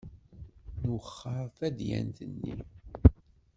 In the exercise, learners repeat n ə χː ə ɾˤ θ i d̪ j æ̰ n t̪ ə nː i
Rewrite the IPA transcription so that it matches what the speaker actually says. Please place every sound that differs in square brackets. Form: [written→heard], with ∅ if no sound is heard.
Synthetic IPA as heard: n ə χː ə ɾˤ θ [i→æ] d̪ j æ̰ n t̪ ə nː i